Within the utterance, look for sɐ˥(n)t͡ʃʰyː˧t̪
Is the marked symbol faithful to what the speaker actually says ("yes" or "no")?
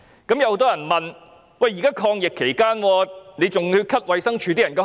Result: no